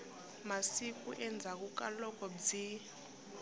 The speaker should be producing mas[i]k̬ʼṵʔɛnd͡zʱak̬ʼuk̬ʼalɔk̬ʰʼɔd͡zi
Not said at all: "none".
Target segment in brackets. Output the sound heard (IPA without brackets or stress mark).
i